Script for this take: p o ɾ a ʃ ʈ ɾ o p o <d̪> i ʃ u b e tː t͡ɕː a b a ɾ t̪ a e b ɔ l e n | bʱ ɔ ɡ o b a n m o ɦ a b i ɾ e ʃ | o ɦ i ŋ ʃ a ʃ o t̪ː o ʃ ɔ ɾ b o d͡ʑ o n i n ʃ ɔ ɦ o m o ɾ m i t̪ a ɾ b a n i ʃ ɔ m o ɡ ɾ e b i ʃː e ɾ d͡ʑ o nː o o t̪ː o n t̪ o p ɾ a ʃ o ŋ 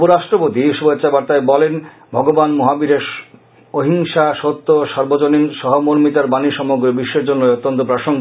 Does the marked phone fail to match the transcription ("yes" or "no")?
yes